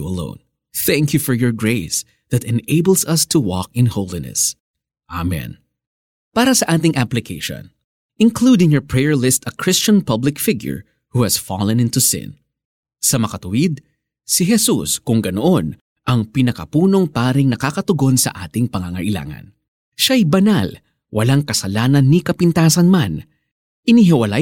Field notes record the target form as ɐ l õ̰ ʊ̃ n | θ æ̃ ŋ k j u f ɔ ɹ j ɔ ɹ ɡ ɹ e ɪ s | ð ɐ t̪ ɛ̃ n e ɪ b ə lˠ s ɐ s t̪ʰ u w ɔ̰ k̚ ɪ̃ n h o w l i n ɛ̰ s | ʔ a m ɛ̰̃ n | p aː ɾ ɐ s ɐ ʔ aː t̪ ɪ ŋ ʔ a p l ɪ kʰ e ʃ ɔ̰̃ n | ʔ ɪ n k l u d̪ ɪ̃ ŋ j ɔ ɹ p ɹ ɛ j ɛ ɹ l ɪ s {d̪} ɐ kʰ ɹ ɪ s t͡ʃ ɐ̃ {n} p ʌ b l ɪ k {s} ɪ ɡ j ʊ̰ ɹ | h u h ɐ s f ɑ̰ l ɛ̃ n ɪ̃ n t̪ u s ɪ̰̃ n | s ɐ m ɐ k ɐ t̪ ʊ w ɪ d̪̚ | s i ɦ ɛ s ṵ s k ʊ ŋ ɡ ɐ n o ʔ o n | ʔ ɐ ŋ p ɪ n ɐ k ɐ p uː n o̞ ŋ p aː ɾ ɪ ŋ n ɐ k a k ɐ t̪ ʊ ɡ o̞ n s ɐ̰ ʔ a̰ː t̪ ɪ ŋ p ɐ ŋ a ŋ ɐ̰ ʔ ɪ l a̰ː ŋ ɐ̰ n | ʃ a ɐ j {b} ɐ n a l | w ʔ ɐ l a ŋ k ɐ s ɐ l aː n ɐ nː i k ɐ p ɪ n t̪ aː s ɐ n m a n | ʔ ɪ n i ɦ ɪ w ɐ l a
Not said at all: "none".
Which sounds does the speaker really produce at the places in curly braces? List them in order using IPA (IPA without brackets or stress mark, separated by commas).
t̪, n, f, b